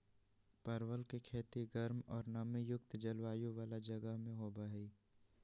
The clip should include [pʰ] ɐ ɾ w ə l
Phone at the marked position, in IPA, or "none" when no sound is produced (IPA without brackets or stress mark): p